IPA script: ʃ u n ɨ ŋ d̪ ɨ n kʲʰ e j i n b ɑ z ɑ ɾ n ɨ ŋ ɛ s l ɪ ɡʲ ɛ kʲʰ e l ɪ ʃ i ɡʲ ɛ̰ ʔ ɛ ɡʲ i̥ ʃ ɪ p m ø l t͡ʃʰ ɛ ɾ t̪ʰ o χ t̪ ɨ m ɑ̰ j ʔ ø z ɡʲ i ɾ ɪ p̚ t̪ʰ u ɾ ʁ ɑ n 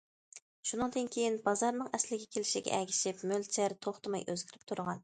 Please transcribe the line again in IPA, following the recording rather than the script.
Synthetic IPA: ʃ u n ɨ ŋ d̪ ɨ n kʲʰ e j i n b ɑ z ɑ ɾ n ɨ ŋ ɛ s l ɪ ɡʲ ɛ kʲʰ e l ɪ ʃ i ɡʲ ɛ̰ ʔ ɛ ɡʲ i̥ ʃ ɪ p m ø l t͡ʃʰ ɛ ɾ t̪ʰ o χ t̪ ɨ m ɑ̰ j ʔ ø z ɡʲ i ɾ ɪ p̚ t̪ʰ u ɾ ʁ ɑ n